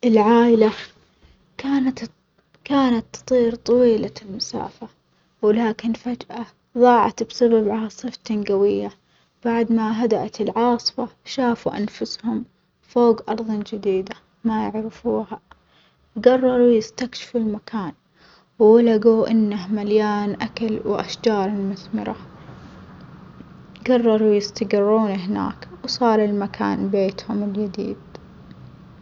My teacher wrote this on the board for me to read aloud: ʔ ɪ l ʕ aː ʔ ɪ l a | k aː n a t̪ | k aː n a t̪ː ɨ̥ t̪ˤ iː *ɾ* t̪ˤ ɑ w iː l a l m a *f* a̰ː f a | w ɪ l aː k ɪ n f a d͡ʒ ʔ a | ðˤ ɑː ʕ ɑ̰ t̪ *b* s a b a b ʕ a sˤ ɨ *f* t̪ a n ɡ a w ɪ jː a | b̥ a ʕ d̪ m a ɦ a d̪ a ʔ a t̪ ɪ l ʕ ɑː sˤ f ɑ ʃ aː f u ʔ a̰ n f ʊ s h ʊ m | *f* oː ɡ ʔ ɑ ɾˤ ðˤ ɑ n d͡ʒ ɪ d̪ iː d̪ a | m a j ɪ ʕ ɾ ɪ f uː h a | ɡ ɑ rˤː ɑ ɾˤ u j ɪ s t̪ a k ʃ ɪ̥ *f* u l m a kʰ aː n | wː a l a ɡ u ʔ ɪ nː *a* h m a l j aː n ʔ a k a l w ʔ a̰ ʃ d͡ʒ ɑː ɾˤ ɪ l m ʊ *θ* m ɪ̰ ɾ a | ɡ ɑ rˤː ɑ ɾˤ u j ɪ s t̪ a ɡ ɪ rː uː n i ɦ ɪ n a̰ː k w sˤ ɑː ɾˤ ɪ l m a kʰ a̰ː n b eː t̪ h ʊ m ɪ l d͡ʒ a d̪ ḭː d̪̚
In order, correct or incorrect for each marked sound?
correct, incorrect, correct, correct, correct, correct, correct, correct

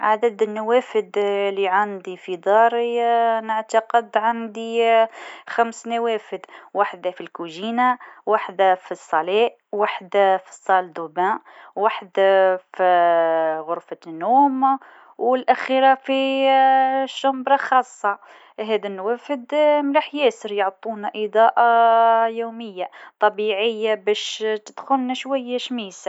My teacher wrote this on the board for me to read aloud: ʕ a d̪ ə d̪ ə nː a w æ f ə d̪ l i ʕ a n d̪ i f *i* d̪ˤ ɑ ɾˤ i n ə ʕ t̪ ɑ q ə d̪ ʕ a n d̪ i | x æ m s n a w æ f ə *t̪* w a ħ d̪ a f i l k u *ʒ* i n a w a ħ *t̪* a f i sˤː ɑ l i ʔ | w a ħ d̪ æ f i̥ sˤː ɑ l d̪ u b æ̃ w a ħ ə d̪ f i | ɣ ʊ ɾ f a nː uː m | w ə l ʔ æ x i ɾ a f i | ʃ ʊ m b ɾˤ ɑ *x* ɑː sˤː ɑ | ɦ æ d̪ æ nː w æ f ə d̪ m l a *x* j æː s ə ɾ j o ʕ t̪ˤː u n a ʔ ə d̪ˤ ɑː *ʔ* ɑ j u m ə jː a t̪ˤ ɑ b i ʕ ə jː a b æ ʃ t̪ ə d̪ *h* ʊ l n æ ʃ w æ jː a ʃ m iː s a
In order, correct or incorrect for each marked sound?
correct, incorrect, correct, incorrect, correct, incorrect, correct, incorrect

